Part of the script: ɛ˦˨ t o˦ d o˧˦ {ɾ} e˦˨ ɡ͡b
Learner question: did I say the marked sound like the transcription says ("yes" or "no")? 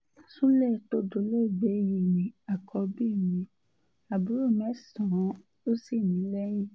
no